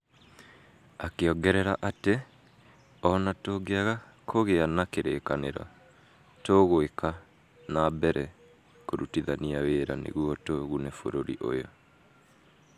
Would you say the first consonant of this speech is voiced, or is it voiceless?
voiceless